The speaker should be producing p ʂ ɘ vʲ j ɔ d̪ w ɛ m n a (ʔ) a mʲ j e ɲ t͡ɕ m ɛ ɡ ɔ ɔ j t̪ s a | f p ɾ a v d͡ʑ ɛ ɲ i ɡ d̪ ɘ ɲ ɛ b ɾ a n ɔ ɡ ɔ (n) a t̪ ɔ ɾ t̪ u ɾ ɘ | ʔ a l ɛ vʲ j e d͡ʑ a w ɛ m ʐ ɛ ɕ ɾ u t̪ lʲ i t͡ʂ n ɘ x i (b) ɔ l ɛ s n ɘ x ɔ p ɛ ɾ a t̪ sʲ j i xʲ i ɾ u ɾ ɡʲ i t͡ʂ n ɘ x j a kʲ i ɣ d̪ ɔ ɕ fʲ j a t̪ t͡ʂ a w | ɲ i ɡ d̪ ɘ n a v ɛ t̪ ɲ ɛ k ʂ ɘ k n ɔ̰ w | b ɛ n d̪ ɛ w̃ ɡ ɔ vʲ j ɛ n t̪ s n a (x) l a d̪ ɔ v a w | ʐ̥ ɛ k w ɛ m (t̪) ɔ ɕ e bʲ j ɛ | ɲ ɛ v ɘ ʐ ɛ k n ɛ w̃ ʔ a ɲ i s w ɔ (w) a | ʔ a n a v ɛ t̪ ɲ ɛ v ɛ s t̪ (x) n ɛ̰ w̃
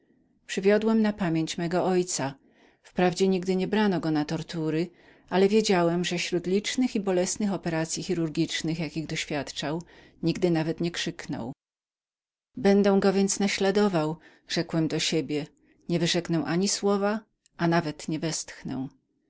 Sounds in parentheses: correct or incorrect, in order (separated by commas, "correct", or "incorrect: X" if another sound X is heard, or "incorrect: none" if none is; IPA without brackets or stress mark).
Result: incorrect: p, correct, correct, incorrect: ɕ, incorrect: d̪, incorrect: v, correct